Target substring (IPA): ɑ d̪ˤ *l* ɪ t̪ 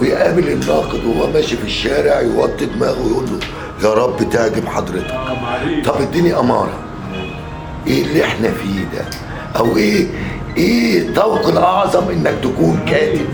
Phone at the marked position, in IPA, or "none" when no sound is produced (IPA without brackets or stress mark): ɾ